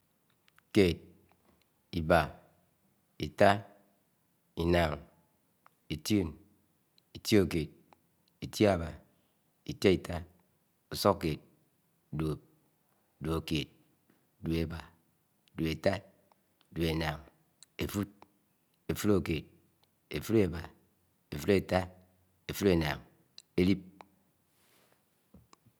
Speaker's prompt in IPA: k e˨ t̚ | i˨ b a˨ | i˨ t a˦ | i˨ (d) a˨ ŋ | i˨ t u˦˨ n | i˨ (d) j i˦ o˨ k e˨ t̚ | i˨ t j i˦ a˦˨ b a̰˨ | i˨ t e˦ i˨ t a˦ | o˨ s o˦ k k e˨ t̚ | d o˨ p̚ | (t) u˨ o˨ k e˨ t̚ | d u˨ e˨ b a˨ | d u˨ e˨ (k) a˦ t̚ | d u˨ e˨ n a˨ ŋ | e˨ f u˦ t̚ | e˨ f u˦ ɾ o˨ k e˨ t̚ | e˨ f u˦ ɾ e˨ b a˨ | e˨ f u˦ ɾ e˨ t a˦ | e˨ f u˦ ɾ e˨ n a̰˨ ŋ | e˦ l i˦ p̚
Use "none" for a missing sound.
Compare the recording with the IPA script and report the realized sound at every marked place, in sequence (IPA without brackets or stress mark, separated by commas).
n, t, d, t